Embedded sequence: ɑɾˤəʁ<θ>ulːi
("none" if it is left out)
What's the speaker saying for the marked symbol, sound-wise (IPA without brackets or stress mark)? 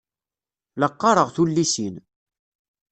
θ